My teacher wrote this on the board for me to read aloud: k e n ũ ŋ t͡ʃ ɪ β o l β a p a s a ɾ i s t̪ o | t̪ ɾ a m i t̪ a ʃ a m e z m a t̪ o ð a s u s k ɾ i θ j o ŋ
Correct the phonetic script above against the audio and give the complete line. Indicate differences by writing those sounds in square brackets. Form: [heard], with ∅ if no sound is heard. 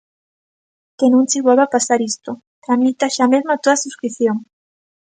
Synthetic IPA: k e n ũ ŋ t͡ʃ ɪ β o l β a p a s a ɾ i s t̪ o | t̪ ɾ a m i t̪ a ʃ a m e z m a t̪ o ð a s u s k ɾ i θ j o ŋ

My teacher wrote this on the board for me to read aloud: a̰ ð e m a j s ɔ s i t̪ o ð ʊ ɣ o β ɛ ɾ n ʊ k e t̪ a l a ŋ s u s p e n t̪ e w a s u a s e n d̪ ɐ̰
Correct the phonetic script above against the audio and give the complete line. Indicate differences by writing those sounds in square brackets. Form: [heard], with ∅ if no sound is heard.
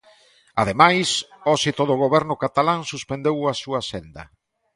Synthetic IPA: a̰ ð e m a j s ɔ s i t̪ o ð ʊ ɣ o β ɛ ɾ n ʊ k [a] t̪ a l a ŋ s u s p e n [d̪] e w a s u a s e n d̪ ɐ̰

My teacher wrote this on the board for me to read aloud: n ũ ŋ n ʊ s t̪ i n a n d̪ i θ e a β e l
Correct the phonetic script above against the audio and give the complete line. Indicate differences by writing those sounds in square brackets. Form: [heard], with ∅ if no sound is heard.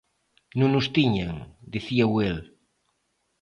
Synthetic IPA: n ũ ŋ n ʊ s t̪ i [ɲ] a [ŋ] d̪ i θ [i] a [w] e l

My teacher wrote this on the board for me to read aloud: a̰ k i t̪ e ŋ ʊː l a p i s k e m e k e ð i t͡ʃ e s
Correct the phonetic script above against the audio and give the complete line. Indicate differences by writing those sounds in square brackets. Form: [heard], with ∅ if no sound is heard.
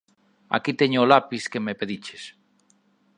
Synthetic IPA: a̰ k i t̪ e [ɲ] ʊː l a p i s k e m e [p] e ð i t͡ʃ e s

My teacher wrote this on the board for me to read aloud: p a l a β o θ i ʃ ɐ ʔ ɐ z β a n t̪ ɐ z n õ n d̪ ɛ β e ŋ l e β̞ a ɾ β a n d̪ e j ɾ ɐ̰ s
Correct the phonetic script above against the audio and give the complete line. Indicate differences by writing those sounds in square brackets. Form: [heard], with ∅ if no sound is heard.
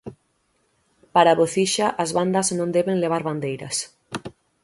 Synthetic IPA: p a [ɾ] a β o θ i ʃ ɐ ʔ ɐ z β a n [d̪] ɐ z n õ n d̪ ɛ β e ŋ l e β̞ a ɾ β a n d̪ e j ɾ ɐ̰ s

